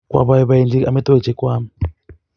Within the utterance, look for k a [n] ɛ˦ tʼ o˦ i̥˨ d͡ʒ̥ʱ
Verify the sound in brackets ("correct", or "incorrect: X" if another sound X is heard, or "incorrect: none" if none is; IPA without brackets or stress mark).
incorrect: m